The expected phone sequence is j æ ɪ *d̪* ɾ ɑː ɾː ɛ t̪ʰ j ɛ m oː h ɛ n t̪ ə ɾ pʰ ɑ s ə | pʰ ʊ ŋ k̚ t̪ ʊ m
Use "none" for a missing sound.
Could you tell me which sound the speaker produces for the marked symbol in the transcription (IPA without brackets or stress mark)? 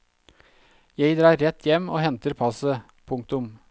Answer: d̪